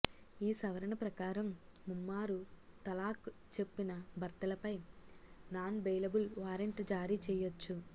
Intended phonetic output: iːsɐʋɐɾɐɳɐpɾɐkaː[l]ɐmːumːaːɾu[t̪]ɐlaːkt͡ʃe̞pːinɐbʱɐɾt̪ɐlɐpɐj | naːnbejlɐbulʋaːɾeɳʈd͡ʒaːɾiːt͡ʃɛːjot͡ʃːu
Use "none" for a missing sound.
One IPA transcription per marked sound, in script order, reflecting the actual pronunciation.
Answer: ɾ, t̪

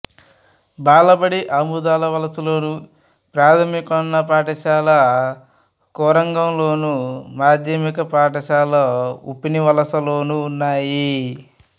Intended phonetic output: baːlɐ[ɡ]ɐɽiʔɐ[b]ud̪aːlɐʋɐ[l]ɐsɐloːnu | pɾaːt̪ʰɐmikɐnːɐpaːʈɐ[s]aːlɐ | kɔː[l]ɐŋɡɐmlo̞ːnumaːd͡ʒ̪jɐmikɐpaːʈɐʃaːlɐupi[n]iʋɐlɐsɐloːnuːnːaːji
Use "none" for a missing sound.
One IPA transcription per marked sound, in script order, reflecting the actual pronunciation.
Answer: b, m, l, ʃ, ɾ, n

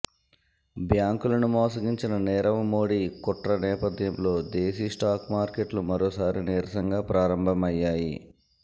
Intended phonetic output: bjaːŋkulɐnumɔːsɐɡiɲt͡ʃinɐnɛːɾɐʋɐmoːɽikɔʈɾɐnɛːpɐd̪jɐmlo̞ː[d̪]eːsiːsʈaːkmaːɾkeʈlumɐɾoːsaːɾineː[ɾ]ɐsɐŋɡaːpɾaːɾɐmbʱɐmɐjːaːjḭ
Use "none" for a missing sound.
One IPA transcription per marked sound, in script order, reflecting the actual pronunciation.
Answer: d̪, ɾ

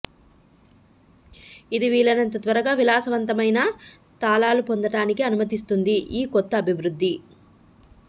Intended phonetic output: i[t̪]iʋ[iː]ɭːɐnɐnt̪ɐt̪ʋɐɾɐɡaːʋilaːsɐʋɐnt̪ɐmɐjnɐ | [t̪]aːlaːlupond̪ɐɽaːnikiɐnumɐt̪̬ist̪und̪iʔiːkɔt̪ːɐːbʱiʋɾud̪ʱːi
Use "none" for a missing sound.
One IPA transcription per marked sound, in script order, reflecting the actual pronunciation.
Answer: d̪, iː, t̪

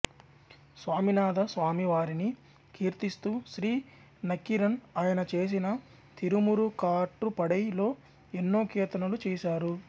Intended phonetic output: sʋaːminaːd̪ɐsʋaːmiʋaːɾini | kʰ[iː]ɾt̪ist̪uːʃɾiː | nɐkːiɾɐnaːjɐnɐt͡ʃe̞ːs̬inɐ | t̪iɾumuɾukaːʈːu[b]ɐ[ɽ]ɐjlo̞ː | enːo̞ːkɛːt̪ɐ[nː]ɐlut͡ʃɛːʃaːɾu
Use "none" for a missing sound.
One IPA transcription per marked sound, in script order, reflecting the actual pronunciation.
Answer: iː, p, ɽ, n

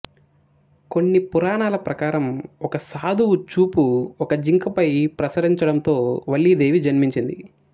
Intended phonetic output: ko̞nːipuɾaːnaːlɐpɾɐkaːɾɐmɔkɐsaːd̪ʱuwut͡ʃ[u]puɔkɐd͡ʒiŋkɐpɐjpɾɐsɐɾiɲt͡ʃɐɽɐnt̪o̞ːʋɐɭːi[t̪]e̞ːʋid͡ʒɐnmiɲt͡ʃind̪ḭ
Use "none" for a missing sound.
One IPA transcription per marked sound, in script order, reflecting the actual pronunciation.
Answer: uː, d̪

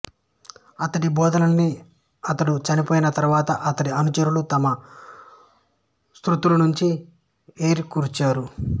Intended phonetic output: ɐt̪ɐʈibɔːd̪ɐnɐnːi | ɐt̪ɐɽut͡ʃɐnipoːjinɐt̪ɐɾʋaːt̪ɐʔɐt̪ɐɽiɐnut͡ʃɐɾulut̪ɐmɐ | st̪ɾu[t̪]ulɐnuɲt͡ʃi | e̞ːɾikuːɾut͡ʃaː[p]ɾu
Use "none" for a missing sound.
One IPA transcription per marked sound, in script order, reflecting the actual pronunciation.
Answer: t̪, none

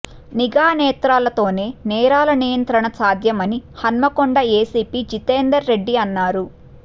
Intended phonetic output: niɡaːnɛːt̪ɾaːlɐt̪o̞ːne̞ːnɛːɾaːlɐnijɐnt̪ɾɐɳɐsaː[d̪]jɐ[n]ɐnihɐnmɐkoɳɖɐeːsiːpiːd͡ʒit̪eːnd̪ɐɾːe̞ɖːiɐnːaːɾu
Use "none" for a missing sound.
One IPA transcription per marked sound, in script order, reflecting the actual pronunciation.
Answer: d̪, m

